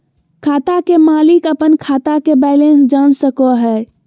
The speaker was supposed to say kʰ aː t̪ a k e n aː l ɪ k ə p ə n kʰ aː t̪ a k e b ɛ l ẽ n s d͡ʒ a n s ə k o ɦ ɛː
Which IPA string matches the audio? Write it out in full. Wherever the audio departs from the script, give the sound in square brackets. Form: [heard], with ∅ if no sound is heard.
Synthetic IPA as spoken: kʰ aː t̪ a k e [m] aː l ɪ k ə p ə n kʰ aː t̪ a k e b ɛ l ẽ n s d͡ʒ a n s ə k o ɦ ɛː